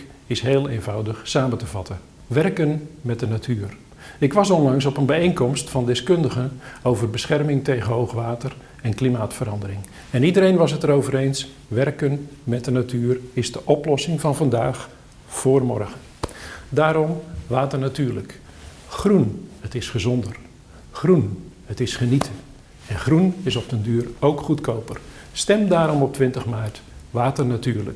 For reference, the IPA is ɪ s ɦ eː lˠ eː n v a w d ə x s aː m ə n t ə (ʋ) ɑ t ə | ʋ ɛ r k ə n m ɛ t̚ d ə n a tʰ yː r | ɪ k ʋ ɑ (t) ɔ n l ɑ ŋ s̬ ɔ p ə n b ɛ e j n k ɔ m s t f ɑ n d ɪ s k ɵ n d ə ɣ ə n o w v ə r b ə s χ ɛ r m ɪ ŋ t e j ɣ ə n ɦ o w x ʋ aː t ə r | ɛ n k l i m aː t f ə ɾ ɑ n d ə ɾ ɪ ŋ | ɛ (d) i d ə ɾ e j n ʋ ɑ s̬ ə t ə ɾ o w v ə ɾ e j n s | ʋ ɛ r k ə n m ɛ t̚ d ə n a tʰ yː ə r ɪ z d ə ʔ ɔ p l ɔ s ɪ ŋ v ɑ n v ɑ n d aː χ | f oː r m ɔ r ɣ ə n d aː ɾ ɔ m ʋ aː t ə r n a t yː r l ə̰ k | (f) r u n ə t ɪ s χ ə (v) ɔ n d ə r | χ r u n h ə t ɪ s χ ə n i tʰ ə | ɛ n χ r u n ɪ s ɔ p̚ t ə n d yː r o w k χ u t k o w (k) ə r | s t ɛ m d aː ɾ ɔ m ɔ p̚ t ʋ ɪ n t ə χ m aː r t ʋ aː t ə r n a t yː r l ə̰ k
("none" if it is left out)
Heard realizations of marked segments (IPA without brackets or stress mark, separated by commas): v, s, n, χ, z, p